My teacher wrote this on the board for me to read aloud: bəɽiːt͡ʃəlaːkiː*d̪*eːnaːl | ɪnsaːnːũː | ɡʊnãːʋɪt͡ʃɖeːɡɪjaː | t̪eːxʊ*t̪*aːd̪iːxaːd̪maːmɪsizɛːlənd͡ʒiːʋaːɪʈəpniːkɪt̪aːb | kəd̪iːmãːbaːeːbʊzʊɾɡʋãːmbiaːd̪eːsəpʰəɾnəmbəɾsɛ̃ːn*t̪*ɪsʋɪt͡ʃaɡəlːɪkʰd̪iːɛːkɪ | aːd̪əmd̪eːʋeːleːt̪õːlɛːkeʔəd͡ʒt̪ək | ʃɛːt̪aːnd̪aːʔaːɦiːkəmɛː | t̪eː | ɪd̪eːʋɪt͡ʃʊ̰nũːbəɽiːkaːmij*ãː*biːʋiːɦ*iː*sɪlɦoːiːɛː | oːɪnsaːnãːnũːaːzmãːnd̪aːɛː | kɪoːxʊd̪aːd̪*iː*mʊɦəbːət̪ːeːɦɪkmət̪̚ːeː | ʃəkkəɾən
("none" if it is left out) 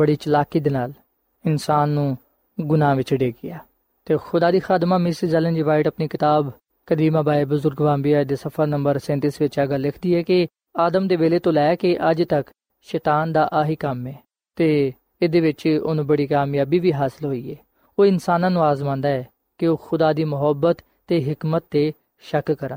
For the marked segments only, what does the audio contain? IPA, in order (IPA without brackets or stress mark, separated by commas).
d̪, d̪, t̪, aː, aː, iː